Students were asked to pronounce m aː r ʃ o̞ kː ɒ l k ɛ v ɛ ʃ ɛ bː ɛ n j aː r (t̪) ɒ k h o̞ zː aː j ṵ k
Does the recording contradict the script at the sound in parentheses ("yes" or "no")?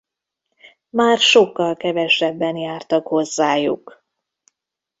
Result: no